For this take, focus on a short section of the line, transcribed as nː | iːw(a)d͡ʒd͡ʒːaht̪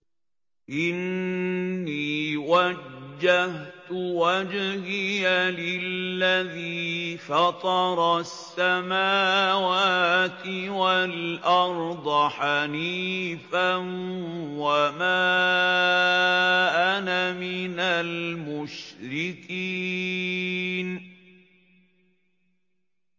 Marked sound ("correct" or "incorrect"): correct